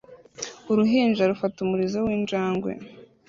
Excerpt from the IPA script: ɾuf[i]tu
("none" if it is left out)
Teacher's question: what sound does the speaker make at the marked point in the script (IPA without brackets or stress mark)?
a